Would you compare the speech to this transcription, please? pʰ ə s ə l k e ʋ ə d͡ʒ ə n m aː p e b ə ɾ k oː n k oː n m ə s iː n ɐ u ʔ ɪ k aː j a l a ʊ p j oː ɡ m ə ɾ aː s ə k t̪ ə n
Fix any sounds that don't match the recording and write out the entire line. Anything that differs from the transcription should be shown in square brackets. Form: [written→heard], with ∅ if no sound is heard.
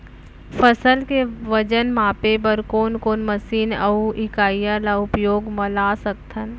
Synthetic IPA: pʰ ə s ə l k e ʋ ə d͡ʒ ə n m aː p e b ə ɾ k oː n k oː n m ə s iː n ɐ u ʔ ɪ k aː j a l a ʊ p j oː ɡ m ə [ɾ→l] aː s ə k [t̪→t̪ʰ] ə n